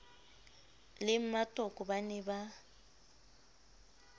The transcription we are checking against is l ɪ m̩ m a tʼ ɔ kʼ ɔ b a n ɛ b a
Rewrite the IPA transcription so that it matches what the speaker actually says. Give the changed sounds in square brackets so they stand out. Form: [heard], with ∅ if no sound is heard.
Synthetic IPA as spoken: l ɪ m̩ m a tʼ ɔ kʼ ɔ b a n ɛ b a